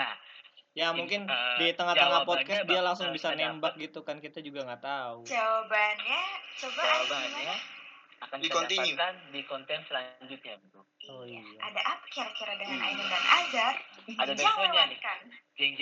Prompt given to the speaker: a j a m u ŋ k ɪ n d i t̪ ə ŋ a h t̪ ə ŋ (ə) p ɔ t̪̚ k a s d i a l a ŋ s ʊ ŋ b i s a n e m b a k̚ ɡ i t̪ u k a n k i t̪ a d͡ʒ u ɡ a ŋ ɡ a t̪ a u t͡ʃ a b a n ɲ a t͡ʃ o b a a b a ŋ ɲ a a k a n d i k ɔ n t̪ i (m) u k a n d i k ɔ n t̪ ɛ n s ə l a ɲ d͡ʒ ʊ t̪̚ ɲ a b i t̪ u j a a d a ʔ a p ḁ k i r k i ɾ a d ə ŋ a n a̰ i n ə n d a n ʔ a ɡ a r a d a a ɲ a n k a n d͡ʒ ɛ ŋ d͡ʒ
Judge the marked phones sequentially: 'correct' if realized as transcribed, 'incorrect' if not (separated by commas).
incorrect, incorrect